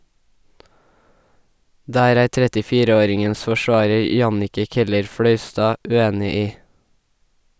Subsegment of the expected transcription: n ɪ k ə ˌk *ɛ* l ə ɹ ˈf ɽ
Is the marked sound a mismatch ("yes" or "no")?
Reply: no